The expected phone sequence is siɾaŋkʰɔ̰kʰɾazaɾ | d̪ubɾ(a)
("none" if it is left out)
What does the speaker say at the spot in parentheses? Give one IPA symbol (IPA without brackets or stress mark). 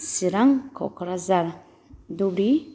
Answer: i